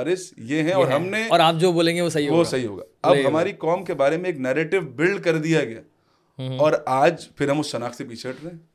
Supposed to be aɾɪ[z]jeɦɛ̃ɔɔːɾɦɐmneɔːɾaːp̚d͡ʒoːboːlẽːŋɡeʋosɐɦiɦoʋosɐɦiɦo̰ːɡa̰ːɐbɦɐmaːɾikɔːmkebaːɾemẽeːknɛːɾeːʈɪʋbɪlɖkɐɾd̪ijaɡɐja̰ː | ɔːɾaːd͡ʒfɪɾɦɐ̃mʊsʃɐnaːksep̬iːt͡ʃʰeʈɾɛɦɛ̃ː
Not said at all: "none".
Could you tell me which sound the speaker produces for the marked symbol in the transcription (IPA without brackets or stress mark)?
s